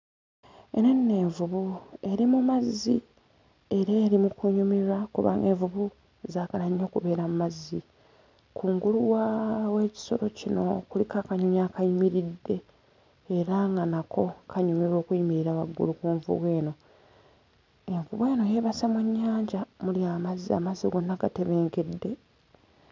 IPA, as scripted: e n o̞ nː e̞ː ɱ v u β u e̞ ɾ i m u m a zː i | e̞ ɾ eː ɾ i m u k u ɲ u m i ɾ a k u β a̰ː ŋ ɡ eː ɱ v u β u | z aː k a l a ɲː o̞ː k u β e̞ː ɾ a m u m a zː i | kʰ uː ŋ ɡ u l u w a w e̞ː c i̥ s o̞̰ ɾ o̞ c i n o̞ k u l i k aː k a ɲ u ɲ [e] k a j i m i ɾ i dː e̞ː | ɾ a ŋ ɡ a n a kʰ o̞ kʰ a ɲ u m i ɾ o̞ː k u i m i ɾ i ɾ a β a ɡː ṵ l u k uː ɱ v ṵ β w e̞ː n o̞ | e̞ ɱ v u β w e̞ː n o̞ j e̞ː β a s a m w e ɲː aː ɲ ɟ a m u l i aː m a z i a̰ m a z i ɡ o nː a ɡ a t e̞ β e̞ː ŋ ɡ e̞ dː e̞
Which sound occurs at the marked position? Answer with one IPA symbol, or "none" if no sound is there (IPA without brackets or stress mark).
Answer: a